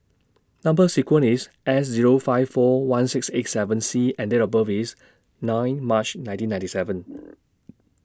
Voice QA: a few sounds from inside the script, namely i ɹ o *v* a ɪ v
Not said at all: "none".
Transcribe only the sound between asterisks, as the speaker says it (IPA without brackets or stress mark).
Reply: f